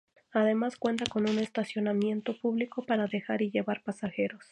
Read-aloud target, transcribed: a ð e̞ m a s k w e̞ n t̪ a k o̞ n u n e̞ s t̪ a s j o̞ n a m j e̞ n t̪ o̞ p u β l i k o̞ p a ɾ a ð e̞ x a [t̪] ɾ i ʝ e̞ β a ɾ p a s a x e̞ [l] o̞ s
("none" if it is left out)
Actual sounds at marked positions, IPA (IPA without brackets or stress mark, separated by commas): none, ɾ